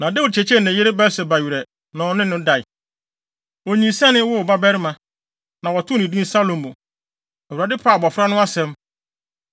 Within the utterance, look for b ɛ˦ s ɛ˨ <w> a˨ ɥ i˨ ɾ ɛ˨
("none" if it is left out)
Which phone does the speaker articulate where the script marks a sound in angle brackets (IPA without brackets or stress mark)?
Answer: b